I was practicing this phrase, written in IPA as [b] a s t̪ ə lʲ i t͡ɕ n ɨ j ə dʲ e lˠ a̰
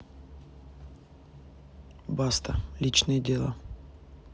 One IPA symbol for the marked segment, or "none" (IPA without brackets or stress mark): b